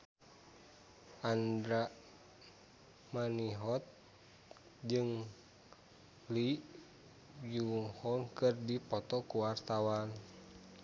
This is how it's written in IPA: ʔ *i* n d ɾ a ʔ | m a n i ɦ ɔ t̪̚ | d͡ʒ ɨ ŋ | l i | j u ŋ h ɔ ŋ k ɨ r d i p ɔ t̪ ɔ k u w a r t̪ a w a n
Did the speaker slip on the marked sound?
yes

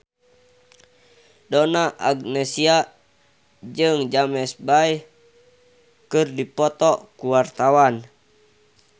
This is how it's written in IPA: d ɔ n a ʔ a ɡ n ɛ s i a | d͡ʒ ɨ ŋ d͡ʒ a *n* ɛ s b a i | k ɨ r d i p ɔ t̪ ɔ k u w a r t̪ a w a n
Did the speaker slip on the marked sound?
yes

